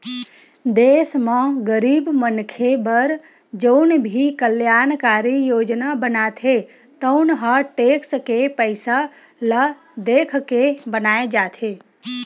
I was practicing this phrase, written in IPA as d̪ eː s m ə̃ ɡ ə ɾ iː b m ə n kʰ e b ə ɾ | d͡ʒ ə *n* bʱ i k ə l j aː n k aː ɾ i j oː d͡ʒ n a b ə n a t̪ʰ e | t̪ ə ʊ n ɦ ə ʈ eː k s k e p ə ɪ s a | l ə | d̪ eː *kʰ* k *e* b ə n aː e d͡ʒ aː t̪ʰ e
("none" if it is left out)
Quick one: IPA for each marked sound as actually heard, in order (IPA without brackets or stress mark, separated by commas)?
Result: n, kʰ, e